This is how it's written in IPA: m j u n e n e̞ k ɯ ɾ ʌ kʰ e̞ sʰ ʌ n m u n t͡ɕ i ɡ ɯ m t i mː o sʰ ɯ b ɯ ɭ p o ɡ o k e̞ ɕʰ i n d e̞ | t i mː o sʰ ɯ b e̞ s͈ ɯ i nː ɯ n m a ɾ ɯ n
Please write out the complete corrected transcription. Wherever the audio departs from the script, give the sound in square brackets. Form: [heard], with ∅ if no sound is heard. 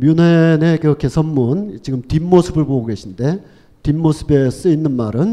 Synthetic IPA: m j u n e n e̞ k ɯ ɾ ʌ kʰ e̞ sʰ ʌ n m u n t͡ɕ i ɡ ɯ m t i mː o sʰ ɯ b ɯ ɭ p o ɡ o [ɡ] e̞ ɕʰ i n d e̞ | t i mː o sʰ ɯ b e̞ s͈ ɯ i nː ɯ n m a ɾ ɯ n